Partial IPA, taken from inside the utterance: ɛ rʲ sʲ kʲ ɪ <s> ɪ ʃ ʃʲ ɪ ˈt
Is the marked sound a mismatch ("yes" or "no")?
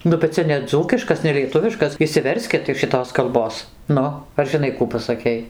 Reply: yes